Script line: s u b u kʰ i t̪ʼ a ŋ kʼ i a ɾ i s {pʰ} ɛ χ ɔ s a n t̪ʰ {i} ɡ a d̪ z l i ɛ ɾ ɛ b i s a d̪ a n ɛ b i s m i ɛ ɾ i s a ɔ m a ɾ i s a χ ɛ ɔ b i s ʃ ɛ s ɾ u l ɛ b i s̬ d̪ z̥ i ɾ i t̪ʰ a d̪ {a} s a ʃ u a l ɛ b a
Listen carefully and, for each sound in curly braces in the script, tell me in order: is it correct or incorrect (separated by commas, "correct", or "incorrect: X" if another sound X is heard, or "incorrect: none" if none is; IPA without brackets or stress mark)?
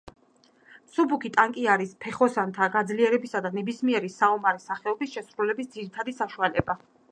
correct, incorrect: a, incorrect: i